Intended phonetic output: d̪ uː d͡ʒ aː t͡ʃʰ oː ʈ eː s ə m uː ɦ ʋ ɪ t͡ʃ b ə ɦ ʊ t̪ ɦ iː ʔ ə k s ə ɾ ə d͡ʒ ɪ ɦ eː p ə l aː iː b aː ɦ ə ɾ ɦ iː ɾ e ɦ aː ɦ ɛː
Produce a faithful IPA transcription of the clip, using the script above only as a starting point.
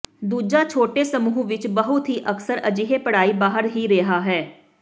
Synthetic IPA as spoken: d̪ uː d͡ʒ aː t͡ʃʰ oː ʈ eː s ə m uː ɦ ʋ ɪ t͡ʃ b ə ɦ ʊ t̪ ɦ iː ʔ ə k s ə ɾ ə d͡ʒ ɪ ɦ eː p ə ɽ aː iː b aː ɦ ə ɾ ɦ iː ɾ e ɦ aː ɦ ɛː